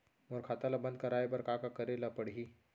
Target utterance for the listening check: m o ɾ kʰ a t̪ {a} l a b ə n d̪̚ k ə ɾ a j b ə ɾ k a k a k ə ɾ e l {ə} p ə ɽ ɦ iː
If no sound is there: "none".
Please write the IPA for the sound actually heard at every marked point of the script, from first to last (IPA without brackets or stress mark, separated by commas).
a, a